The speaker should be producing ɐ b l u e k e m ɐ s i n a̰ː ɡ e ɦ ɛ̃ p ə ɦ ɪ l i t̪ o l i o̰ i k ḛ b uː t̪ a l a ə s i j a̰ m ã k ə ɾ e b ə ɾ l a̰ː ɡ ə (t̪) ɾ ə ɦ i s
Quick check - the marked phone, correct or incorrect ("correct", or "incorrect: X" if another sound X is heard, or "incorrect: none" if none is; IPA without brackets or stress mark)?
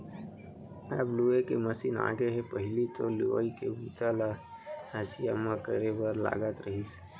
correct